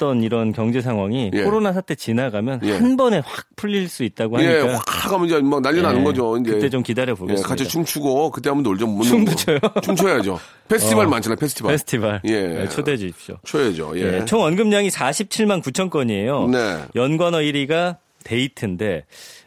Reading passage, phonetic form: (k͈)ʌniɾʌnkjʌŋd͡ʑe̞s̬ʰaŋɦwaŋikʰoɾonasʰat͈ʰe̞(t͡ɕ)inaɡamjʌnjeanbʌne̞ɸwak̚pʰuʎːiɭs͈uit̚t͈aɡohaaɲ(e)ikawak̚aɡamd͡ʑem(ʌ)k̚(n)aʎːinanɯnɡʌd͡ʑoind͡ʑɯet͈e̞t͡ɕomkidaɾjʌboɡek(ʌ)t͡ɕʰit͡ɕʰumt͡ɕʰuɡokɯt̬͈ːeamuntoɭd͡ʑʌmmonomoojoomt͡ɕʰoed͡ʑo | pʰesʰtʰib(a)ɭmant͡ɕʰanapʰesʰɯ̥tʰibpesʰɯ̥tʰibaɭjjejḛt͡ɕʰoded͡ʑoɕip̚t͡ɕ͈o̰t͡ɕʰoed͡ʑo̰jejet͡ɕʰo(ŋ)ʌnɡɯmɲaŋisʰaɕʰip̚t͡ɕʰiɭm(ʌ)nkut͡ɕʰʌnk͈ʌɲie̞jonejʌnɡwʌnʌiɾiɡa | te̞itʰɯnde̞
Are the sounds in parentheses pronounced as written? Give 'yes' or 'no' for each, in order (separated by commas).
no, yes, yes, no, yes, no, yes, yes, no